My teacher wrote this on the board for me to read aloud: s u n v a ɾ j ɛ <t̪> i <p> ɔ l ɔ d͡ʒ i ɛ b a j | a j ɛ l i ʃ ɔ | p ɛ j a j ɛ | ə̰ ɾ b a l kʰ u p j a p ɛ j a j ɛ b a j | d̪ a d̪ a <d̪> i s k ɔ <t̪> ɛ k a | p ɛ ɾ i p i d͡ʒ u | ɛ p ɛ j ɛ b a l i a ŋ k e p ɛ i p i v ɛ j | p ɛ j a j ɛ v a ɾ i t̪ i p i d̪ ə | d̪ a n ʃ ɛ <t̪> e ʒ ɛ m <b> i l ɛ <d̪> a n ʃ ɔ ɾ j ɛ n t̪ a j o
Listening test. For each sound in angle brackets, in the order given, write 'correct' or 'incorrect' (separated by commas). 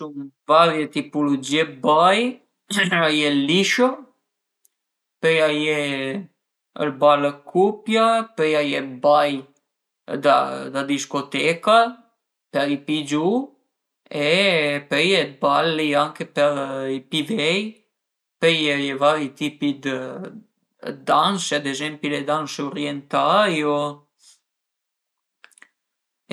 correct, correct, correct, correct, incorrect, incorrect, correct